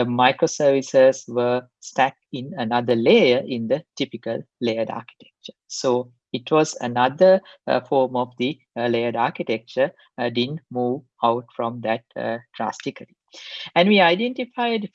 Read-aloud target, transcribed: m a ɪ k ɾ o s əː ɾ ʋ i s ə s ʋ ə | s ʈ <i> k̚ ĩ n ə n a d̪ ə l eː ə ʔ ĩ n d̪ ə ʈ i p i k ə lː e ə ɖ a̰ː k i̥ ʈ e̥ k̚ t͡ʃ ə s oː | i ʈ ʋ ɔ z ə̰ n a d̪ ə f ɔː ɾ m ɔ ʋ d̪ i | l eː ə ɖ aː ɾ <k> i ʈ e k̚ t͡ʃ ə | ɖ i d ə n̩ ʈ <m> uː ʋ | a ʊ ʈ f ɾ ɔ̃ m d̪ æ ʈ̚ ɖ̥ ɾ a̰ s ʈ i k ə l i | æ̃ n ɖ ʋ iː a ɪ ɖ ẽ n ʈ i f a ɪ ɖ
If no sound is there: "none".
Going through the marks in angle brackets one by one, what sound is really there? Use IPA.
æ, k, m

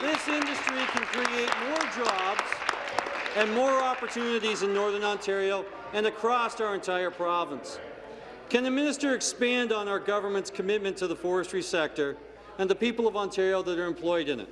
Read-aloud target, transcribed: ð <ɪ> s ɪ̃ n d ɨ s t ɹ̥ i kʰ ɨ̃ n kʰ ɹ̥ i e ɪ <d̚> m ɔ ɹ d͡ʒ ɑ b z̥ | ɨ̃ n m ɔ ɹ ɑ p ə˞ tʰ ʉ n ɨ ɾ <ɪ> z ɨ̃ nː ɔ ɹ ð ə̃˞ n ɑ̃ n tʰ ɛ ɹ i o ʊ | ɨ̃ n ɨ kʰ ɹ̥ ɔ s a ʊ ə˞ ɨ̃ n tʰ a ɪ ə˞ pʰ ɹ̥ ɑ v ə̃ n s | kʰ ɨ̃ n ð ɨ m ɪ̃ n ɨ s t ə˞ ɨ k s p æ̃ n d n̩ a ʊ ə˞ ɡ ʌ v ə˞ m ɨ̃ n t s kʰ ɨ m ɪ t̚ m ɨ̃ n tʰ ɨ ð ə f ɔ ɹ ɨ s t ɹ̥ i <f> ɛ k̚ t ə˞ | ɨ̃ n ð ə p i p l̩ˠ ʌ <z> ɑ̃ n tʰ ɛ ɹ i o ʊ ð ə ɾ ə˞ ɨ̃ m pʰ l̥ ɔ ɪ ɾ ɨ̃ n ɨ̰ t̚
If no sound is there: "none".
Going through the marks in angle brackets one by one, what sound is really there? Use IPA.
ɪ, t̚, i, s, v

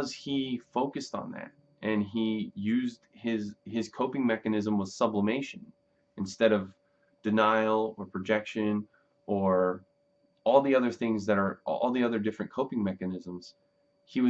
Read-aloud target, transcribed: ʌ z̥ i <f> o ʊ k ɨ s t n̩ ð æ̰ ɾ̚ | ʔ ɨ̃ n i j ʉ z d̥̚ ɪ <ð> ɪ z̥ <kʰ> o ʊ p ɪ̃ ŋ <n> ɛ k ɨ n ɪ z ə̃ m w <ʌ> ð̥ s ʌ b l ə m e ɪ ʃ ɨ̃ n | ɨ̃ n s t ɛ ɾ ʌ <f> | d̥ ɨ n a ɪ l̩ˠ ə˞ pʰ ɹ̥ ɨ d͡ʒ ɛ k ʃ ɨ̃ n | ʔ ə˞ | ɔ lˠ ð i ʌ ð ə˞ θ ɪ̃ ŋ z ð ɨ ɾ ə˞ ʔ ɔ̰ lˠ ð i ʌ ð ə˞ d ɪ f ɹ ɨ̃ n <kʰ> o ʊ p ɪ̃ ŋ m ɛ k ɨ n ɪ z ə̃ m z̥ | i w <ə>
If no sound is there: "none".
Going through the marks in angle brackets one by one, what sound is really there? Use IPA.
f, z, kʰ, m, ʌ, v, kʰ, ʌ

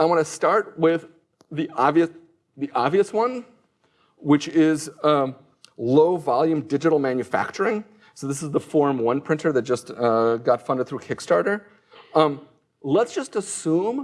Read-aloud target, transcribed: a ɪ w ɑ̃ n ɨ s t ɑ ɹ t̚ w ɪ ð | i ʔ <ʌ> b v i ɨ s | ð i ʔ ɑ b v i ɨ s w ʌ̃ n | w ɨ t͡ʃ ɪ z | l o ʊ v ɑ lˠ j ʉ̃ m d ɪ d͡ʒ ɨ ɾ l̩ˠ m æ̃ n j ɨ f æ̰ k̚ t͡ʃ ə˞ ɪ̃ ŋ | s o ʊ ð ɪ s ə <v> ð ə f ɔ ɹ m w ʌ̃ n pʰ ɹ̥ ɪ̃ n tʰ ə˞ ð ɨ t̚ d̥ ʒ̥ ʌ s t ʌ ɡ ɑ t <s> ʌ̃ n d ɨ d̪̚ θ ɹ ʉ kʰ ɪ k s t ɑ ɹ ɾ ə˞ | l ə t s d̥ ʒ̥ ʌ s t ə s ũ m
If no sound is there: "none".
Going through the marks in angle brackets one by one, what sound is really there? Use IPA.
ɑ, z, f

